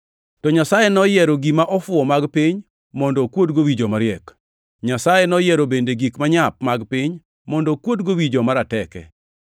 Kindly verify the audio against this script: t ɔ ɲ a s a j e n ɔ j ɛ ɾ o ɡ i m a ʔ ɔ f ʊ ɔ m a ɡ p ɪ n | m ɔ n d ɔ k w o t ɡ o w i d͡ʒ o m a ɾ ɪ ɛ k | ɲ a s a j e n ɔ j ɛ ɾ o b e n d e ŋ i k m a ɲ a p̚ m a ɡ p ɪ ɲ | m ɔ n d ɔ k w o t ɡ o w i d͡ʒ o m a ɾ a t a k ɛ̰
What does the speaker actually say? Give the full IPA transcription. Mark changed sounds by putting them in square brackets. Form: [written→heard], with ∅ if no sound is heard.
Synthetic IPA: t ɔ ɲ a s a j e n ɔ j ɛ ɾ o ɡ i m a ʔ ɔ f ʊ ɔ m a ɡ p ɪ [n→ɲ] | m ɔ n d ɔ k w o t ɡ o w i d͡ʒ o m a ɾ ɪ ɛ k | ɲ a s a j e n ɔ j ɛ ɾ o b e n d e [ŋ→ɡ] i k m a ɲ a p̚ m a ɡ p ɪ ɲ | m ɔ n d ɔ k w o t ɡ o w i d͡ʒ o m a ɾ a t [a→ɛ] k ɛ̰